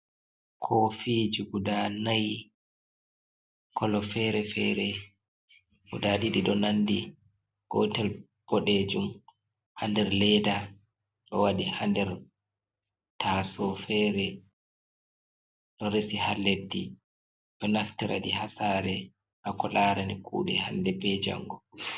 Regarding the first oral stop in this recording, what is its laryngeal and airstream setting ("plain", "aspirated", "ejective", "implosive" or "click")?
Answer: aspirated